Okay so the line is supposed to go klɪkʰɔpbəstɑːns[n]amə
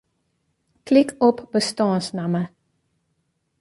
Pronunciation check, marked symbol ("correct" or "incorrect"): correct